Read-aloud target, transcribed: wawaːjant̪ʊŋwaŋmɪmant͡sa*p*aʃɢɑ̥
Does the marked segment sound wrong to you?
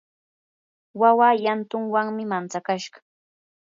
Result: yes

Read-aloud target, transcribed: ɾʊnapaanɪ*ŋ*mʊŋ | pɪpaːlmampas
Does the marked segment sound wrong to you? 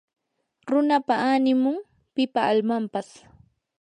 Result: yes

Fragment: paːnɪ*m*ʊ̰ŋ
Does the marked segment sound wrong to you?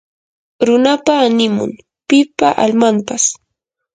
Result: no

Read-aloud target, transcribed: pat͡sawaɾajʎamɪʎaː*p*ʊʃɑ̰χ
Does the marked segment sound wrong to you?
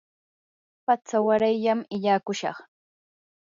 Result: yes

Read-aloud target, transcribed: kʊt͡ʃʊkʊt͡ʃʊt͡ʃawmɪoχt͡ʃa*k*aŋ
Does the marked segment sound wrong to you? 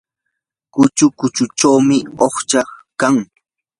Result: no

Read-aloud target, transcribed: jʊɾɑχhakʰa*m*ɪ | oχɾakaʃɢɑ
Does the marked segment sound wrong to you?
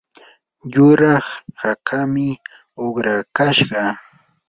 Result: no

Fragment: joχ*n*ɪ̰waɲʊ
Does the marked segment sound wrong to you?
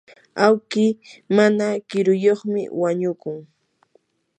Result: yes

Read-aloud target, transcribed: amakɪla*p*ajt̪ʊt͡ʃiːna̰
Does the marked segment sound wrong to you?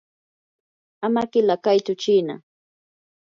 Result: yes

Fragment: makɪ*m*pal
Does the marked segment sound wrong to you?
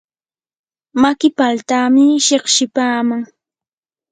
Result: yes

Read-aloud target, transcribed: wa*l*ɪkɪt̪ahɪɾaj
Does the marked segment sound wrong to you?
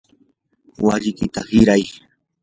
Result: yes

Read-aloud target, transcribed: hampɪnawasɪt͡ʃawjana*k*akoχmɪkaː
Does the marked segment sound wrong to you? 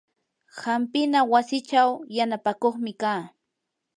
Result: yes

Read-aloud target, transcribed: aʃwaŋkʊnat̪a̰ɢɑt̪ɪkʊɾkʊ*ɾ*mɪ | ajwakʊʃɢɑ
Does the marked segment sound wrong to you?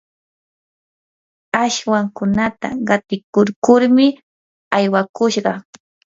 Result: no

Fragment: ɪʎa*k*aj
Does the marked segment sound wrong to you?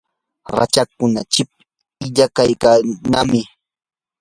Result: no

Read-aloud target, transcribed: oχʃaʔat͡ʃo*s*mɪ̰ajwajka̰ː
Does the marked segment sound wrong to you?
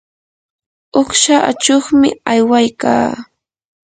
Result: yes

